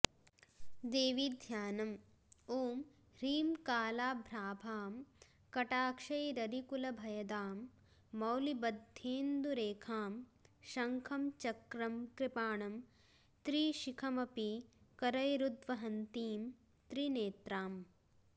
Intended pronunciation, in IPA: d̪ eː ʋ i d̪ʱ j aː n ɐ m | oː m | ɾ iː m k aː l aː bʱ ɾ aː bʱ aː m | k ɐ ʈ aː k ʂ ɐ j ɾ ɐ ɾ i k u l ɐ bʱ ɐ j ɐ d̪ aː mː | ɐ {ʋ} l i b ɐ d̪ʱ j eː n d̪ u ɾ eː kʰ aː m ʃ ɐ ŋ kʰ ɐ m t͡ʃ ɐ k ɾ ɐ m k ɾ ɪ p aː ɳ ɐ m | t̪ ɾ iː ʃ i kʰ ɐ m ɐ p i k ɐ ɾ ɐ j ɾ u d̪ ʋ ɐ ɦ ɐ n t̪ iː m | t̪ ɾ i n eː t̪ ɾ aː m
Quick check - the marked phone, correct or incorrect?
incorrect